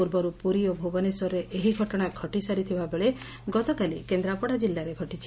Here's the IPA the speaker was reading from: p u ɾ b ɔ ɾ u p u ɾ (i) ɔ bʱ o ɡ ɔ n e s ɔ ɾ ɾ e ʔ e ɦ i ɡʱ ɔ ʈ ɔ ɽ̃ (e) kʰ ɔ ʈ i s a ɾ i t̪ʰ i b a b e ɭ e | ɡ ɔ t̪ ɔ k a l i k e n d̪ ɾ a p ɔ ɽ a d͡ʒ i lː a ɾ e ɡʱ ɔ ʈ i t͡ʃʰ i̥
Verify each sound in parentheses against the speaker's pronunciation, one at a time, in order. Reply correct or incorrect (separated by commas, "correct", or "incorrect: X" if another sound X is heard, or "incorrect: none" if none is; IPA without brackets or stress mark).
correct, incorrect: a